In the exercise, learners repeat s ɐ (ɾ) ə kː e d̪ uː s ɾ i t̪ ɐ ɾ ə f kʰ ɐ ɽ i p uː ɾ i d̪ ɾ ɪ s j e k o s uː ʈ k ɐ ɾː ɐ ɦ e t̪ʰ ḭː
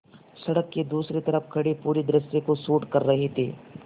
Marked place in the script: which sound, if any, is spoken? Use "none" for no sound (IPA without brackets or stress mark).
ɽ